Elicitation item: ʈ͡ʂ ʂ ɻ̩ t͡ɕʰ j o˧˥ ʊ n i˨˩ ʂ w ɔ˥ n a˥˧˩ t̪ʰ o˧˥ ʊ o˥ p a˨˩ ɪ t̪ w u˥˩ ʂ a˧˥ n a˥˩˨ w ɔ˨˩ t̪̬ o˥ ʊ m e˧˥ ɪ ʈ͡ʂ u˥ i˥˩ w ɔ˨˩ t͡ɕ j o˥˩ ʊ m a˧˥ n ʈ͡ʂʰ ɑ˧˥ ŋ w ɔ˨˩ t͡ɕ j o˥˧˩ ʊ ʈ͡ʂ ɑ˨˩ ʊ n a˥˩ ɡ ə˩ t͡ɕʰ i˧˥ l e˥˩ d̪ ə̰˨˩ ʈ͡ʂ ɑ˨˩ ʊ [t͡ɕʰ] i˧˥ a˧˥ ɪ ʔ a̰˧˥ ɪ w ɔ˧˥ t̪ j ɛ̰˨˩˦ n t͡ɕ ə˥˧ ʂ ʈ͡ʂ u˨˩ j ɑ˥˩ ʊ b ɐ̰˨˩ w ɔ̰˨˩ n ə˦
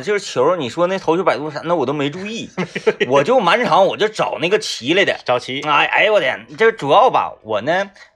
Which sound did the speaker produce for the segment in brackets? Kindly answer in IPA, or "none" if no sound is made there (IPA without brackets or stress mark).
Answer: t͡ɕʰ